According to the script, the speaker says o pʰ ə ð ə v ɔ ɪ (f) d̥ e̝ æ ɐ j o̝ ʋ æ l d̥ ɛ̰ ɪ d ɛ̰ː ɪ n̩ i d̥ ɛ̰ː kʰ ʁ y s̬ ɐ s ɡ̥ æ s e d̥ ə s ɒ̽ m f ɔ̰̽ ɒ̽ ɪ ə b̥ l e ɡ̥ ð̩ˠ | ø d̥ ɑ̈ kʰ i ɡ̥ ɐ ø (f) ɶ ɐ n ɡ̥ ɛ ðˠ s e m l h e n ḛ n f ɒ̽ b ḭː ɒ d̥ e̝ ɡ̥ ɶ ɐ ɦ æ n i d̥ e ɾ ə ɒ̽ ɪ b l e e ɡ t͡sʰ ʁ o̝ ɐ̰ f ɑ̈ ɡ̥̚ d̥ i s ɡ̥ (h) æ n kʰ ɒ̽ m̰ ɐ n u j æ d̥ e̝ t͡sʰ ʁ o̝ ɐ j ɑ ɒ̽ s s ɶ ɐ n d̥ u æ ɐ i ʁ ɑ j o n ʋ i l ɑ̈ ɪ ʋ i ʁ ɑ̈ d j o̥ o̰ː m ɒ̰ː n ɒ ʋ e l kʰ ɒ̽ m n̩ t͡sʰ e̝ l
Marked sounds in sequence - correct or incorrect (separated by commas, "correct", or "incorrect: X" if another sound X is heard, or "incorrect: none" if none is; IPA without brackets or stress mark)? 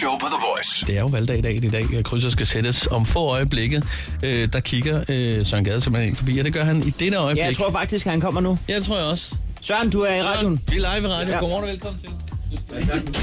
incorrect: s, incorrect: s, correct